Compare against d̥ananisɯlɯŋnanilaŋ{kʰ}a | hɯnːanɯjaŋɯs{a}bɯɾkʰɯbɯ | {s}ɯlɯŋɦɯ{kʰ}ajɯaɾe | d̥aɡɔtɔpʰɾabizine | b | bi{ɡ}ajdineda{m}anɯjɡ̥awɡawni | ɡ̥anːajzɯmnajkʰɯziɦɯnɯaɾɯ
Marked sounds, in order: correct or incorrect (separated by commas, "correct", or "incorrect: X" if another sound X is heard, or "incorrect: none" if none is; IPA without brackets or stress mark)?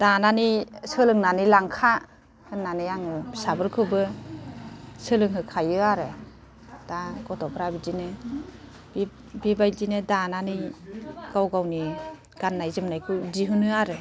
correct, correct, correct, correct, incorrect: b, incorrect: n